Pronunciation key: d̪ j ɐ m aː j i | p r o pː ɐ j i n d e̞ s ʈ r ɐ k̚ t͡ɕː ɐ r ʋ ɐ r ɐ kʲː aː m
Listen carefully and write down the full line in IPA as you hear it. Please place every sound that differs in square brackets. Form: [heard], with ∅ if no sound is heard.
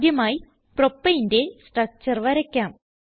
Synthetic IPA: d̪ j ɐ m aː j i | p r o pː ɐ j i n d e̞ s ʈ r ɐ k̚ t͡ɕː ɐ r ʋ ɐ [ɾ] ɐ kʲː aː m